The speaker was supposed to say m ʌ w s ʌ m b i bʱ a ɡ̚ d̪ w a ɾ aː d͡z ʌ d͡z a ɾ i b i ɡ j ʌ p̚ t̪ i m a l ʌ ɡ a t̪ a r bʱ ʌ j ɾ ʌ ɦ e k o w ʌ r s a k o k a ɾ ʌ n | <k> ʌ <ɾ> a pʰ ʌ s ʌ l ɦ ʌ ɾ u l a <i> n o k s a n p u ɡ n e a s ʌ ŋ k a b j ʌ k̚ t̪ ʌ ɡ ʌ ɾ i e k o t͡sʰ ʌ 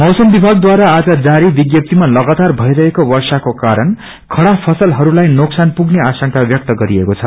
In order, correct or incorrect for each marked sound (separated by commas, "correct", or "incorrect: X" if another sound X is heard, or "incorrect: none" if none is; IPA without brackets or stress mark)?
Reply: incorrect: kʰ, incorrect: ɽ, incorrect: j